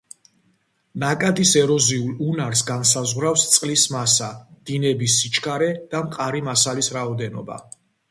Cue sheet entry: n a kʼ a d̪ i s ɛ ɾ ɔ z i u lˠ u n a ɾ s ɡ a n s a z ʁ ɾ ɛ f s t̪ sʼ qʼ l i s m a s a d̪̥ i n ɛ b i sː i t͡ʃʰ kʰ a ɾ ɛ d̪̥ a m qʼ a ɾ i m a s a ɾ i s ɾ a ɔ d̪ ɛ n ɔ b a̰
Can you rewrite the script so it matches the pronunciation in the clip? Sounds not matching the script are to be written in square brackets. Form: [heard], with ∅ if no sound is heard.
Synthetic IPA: n a kʼ a d̪ i s ɛ ɾ ɔ z i u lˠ u n a ɾ s ɡ a n s a z ʁ ɾ [a] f s t̪ sʼ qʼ l i s m a s a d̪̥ i n ɛ b i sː i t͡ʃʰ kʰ a ɾ ɛ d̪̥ a m qʼ a ɾ i m a s a [l] i s ɾ a ɔ d̪ ɛ n ɔ b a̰